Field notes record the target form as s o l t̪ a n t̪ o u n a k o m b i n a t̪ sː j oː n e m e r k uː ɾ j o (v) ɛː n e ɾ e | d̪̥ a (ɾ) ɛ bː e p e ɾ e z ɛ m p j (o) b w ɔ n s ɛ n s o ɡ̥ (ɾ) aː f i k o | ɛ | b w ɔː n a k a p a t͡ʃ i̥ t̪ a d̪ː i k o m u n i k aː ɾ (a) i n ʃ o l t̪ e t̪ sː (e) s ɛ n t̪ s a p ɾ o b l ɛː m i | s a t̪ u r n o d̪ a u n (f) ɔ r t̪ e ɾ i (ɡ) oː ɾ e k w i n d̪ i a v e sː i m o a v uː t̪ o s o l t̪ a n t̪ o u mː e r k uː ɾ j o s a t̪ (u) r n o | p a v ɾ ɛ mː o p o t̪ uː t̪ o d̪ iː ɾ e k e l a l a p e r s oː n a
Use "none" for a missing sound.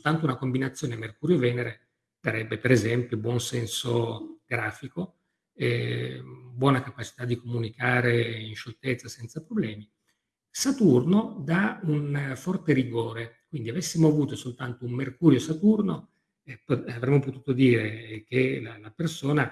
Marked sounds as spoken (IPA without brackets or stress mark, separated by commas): v, ɾ, o, ɾ, e, a, f, ɡ, u